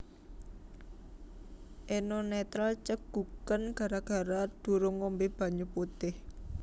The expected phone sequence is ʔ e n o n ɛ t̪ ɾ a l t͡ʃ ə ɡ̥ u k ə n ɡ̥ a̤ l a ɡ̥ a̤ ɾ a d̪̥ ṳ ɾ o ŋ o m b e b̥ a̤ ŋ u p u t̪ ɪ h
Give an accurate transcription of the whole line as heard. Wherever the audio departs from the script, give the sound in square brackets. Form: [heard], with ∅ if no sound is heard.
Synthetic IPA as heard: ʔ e n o n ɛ t̪ ɾ a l t͡ʃ ə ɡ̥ u k ə n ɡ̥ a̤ [ɾ] a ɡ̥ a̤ ɾ a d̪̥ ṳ ɾ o ŋ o m b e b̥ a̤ [ɲ] u p u t̪ ɪ h

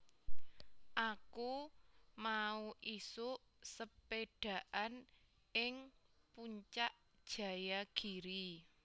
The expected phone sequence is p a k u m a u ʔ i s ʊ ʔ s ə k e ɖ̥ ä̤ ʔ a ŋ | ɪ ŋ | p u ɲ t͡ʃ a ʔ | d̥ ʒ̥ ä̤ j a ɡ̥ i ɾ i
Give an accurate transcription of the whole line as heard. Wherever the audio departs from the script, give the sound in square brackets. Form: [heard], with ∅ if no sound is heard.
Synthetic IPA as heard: [ʔ] a k u m a u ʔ i s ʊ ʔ s ə [p] e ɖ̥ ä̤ ʔ a [n] | ɪ ŋ | p u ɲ t͡ʃ a ʔ | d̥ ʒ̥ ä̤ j a ɡ̥ i ɾ i

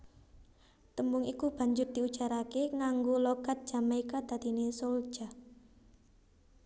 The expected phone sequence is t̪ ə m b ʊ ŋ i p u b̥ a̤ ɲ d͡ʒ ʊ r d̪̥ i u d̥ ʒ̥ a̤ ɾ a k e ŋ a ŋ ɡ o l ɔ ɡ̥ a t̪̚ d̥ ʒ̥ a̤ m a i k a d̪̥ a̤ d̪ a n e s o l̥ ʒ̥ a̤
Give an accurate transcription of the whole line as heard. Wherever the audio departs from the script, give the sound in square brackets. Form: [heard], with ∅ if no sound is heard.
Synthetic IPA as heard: t̪ ə m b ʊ ŋ i [k] u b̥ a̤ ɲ d͡ʒ ʊ r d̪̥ i u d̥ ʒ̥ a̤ ɾ a k e ŋ a ŋ ɡ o l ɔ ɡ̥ a t̪̚ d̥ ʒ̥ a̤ m a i k a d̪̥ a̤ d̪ [i] n e s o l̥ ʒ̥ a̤

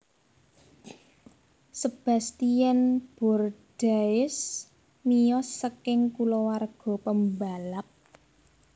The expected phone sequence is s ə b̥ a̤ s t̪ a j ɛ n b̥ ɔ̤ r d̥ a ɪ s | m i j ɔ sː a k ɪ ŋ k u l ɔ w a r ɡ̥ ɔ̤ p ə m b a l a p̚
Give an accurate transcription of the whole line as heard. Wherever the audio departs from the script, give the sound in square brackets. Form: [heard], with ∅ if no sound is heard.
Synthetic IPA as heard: s ə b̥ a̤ s t̪ [i] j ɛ n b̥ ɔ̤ r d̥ a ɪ s | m i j ɔ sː [ə] k ɪ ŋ k u l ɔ w a r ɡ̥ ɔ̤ p ə m b a l a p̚

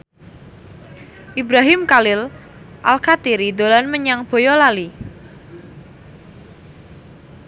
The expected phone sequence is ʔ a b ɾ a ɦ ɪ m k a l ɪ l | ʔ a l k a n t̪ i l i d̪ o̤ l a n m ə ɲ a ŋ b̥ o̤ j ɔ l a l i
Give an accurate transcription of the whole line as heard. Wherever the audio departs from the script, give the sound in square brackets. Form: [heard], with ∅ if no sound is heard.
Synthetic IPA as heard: ʔ [i] b ɾ a ɦ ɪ m k a l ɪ l | ʔ a l k a [∅] t̪ i [ɾ] i d̪ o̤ l a n m ə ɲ a ŋ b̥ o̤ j ɔ l a l i

